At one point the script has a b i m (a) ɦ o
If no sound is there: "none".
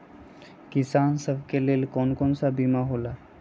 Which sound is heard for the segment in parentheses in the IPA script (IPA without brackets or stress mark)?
a